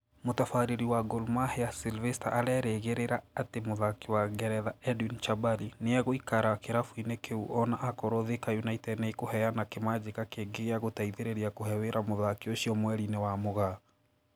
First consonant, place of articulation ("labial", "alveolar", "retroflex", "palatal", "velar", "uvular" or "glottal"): labial